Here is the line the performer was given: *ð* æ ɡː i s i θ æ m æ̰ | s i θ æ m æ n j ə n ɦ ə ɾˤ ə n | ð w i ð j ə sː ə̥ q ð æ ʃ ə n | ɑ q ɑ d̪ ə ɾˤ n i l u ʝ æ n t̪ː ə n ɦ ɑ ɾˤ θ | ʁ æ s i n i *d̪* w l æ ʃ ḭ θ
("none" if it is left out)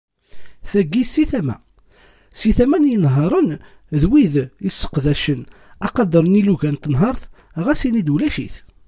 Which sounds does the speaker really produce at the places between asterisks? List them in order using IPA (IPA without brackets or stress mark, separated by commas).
θ, d̪